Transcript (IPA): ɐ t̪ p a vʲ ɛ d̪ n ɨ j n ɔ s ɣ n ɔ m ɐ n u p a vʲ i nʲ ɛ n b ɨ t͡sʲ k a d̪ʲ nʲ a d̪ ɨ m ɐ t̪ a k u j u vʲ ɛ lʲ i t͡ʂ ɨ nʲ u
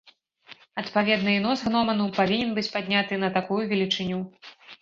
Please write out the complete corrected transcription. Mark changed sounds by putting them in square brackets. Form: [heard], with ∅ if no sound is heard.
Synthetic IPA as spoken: ɐ t̪ p a vʲ ɛ d̪ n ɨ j n ɔ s ɣ n ɔ m ɐ n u p a vʲ i nʲ ɛ n b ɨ t͡sʲ [p] a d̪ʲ nʲ a [t̪] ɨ [n] ɐ t̪ a k u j u vʲ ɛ lʲ i t͡ʂ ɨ nʲ u